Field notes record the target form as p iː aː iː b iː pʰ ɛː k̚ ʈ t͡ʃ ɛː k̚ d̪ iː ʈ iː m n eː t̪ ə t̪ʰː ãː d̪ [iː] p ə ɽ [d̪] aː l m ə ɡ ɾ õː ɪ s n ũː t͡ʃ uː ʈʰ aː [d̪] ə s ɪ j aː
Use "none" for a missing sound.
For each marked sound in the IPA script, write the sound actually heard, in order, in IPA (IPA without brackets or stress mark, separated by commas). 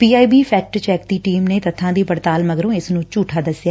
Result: iː, t̪, d̪